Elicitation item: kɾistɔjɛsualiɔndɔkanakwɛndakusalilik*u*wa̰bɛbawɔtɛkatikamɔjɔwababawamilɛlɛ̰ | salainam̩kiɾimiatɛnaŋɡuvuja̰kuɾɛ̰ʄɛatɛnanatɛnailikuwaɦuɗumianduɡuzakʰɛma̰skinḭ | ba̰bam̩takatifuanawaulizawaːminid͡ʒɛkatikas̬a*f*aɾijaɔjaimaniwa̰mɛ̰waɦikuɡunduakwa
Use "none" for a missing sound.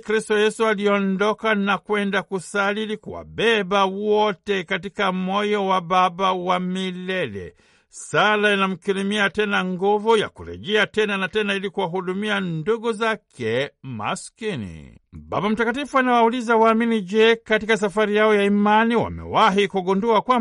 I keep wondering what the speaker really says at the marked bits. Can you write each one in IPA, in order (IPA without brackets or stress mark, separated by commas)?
u, f